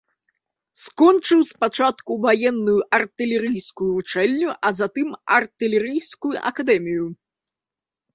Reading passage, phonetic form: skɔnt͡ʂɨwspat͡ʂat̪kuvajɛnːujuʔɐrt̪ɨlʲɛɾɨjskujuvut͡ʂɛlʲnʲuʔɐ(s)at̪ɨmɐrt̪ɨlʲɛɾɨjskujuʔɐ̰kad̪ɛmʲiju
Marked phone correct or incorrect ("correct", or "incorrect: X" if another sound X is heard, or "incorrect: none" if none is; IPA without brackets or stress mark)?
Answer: incorrect: z